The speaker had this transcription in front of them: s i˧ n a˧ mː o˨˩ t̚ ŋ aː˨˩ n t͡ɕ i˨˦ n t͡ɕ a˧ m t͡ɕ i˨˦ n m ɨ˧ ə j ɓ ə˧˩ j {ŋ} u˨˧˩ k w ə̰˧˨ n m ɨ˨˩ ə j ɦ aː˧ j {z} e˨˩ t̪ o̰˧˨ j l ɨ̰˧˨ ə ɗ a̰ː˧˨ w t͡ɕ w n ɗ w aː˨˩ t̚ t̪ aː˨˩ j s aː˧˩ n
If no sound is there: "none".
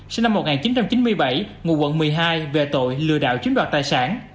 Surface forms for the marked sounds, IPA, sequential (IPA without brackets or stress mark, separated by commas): ŋ, v